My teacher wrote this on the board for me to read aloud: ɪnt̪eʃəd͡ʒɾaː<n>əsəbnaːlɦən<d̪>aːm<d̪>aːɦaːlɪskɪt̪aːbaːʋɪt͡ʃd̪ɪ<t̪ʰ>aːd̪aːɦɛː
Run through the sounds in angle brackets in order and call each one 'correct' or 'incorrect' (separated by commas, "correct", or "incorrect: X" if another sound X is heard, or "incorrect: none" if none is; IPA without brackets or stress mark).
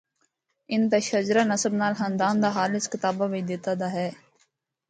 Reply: correct, correct, correct, incorrect: t̪